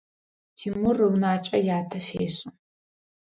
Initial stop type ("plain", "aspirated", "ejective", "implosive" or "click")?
aspirated